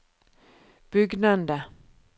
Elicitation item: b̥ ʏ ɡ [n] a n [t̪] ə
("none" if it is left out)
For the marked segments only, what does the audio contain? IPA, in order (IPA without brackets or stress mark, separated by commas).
n, d̪